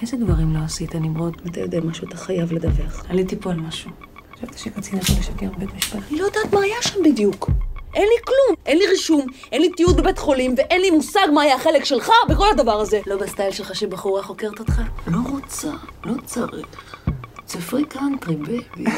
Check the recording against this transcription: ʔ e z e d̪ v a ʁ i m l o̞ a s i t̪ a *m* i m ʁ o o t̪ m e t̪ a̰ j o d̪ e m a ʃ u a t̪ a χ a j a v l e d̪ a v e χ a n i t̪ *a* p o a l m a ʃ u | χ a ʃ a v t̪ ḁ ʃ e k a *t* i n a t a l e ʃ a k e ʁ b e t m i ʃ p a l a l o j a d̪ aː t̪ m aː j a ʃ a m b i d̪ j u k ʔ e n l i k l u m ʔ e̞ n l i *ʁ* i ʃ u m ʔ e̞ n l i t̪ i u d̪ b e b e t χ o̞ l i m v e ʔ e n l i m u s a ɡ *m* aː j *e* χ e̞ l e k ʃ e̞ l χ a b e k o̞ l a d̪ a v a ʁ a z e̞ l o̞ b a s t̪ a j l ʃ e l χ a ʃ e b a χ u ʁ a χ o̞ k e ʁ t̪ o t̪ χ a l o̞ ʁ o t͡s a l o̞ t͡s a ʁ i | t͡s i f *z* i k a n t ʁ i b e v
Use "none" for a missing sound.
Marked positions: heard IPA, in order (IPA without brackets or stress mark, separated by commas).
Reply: n, i, t͡s, ʁ, m, a, ʁ